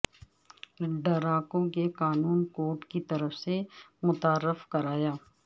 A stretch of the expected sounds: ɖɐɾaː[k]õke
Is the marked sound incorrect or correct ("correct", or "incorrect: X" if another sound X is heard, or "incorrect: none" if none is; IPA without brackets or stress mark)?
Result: correct